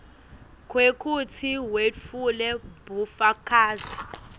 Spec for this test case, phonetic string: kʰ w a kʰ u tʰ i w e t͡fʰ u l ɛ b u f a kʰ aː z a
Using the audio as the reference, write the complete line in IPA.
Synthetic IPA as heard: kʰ w e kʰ u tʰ i w e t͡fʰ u l ɛ b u f a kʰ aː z i